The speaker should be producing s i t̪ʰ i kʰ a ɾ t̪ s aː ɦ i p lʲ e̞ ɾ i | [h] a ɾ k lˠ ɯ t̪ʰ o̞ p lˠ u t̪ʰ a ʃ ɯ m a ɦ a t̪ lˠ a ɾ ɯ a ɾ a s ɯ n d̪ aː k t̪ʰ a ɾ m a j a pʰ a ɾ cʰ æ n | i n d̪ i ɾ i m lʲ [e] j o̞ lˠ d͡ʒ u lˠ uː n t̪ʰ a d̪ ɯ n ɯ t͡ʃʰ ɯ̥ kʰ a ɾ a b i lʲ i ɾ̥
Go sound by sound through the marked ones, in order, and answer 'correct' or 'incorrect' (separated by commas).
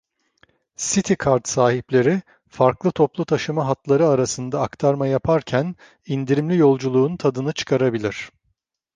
incorrect, incorrect